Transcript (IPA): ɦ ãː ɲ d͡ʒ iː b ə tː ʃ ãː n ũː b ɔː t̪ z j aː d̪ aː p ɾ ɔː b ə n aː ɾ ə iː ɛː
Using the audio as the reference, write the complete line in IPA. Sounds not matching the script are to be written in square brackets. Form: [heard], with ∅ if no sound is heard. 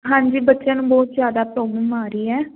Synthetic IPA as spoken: ɦ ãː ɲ d͡ʒ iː b ə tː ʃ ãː n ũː b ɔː t̪ z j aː d̪ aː p ɾ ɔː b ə [m] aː ɾ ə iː ɛː

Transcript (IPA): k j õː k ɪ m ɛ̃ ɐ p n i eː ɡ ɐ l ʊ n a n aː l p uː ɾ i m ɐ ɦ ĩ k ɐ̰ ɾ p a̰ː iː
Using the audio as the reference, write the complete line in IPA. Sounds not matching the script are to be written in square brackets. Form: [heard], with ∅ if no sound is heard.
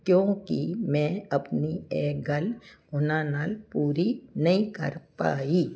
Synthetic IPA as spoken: k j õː k [i] m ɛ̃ ɐ p n i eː ɡ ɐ l ʊ n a n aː l p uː ɾ i [n] ɐ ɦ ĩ k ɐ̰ ɾ p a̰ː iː

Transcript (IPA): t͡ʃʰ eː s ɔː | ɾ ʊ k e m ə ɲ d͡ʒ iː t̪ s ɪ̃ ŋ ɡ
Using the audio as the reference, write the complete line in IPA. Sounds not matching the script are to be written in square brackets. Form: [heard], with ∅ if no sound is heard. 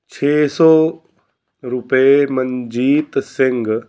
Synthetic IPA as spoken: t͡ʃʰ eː s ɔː | ɾ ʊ [p] e m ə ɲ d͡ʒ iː t̪ s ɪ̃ ŋ ɡ

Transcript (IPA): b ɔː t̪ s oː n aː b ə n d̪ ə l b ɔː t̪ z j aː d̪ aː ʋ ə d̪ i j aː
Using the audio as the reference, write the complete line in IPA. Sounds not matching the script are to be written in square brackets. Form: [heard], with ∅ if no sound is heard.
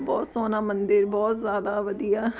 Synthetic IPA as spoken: b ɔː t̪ s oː n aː [m] ə n d̪ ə [ɾ] b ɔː t̪ z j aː d̪ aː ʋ ə d̪ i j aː

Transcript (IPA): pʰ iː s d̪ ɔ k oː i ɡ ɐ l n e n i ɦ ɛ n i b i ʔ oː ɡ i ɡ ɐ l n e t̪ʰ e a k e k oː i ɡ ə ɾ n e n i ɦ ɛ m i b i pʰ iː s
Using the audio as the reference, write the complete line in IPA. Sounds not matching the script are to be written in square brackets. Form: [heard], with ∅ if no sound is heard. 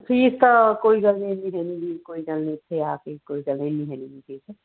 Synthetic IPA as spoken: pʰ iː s [t̪] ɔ k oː i ɡ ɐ l n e n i ɦ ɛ n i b i [k] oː [∅] i ɡ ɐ l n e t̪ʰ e a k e k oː i ɡ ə [l] n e n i ɦ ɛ [n] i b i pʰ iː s

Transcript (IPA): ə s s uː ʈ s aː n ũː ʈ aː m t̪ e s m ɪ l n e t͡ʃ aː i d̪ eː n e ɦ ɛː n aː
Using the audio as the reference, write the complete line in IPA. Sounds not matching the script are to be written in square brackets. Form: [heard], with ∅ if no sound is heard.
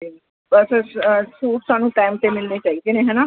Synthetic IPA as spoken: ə s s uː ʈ s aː n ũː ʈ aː m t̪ e [∅] m ɪ l n e t͡ʃ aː i d̪ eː n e ɦ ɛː n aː

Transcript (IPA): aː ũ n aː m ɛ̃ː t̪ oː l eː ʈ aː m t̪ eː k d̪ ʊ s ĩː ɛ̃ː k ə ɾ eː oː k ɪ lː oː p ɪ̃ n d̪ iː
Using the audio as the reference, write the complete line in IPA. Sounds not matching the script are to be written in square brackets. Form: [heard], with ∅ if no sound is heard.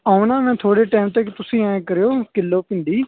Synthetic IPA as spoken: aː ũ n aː m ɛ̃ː [t̪ʰ] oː [ɽ] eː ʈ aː m t̪ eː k [t̪] ʊ s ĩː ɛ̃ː k ə ɾ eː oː k ɪ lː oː p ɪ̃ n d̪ iː

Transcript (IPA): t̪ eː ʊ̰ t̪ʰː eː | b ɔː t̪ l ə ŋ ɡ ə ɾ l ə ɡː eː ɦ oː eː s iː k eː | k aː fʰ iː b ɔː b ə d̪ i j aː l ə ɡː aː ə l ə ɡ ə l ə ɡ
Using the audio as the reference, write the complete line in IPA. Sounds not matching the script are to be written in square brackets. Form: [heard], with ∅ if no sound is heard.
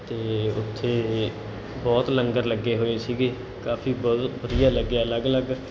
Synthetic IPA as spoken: t̪ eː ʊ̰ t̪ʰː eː | b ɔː t̪ l ə ŋ ɡ ə ɾ l ə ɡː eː ɦ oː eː s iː [ɡ] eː | k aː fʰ iː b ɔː b ə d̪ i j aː l ə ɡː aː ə l ə ɡ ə l ə ɡ

